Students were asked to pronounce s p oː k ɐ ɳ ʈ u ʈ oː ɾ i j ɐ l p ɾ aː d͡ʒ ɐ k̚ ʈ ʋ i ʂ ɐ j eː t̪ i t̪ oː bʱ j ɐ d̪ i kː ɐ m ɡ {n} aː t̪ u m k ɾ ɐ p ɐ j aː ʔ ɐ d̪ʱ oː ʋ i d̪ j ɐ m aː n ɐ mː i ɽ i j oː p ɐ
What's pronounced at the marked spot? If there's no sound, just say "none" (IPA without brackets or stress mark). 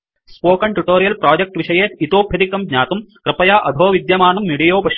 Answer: ɲ